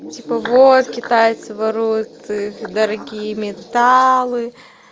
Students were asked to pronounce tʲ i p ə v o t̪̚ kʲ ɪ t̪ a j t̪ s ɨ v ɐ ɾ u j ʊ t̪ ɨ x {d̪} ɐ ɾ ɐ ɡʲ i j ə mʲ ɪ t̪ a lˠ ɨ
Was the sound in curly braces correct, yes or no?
yes